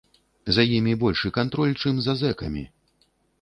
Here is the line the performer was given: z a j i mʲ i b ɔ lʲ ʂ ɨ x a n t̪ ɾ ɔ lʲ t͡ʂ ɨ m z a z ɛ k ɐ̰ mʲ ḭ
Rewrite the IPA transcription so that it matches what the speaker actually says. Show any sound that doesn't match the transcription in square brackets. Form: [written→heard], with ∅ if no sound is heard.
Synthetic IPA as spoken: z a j i mʲ i b ɔ lʲ ʂ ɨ [x→k] a n t̪ ɾ ɔ lʲ t͡ʂ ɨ m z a z ɛ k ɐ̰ mʲ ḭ

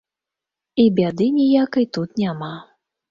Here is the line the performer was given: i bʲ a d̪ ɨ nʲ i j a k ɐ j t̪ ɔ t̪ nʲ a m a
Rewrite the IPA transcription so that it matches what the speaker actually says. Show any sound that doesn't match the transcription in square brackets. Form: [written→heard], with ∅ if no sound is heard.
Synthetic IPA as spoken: i bʲ a d̪ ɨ nʲ i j a k ɐ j t̪ [ɔ→u] t̪ nʲ a m a

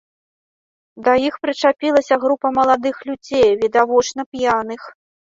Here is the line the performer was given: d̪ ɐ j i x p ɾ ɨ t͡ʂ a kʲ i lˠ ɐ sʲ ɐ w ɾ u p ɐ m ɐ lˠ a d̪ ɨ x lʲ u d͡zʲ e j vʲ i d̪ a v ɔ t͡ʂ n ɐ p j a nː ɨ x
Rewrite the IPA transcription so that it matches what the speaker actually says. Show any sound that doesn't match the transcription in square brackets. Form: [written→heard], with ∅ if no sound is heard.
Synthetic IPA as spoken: d̪ ɐ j i x p ɾ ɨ t͡ʂ a [kʲ→pʲ] i lˠ ɐ sʲ ɐ [w→ɣ] ɾ u p ɐ m ɐ lˠ a d̪ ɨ x lʲ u d͡zʲ e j vʲ i d̪ a v ɔ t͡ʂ n ɐ p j a [nː→n] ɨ x

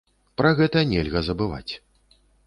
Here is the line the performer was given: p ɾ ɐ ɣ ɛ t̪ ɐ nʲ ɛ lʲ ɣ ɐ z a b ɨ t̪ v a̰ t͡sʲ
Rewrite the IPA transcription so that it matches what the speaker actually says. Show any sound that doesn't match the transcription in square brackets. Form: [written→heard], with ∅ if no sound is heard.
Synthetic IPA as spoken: p ɾ ɐ ɣ ɛ t̪ ɐ nʲ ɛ lʲ ɣ ɐ z [a→ɐ] b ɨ [t̪→∅] v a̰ t͡sʲ

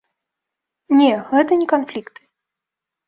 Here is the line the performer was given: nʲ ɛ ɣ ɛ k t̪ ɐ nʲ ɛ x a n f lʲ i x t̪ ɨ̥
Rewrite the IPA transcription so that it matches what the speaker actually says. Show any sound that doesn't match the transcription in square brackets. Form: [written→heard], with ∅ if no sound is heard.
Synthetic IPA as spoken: nʲ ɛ ɣ ɛ [k→∅] t̪ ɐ nʲ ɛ [x→k] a n f lʲ i [x→k] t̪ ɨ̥

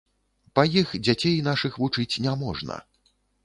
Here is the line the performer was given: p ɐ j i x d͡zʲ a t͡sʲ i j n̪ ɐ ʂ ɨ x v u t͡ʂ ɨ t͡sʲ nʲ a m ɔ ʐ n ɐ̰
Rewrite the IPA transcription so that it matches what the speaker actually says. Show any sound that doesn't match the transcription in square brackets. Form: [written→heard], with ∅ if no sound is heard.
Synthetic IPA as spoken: p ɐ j i x d͡zʲ a t͡sʲ [i→e] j n̪ [ɐ→a] ʂ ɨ x v u t͡ʂ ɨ t͡sʲ nʲ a m ɔ ʐ n ɐ̰

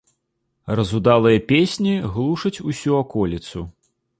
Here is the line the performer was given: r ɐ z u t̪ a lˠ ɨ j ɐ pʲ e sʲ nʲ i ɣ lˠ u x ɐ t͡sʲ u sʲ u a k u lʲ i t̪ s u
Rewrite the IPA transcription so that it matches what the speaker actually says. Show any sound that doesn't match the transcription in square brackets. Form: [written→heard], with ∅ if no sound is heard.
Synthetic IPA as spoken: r ɐ z u [t̪→d̪] a lˠ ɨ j ɐ pʲ e sʲ nʲ i ɣ lˠ u [x→ʂ] ɐ t͡sʲ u sʲ u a k [u→ɔ] lʲ i t̪ s u

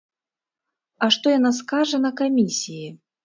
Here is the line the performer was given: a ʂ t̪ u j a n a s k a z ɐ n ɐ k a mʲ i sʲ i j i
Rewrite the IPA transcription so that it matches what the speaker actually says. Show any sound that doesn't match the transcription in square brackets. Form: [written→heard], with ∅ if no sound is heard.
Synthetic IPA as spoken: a ʂ t̪ [u→ɔ] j a n a s k a [z→ʐ] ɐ n ɐ k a mʲ i sʲ i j i

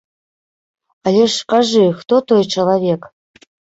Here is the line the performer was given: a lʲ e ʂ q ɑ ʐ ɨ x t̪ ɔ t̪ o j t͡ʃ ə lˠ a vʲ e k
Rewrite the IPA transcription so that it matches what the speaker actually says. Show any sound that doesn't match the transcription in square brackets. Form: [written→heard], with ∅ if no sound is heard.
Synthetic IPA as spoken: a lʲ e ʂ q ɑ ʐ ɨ x t̪ [ɔ→o] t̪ o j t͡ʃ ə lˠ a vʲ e k

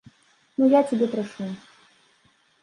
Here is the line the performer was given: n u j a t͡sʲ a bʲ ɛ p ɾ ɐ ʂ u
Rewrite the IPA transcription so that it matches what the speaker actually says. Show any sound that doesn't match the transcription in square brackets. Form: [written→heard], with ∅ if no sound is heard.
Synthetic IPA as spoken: n u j a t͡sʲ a bʲ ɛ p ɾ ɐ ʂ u

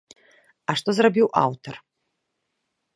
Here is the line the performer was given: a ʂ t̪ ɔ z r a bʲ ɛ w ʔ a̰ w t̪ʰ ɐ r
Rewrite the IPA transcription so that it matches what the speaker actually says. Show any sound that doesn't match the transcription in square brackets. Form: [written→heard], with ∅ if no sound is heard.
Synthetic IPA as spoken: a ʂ t̪ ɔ z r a bʲ [ɛ→i] w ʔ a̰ w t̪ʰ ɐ r

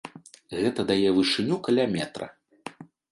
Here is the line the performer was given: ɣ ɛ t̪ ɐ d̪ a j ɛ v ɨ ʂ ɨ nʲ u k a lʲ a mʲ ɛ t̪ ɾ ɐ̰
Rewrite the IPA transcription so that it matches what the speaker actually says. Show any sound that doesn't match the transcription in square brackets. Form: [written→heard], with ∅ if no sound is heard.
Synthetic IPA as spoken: ɣ ɛ t̪ ɐ d̪ a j ɛ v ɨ ʂ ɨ nʲ u k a lʲ a mʲ ɛ t̪ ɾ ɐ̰

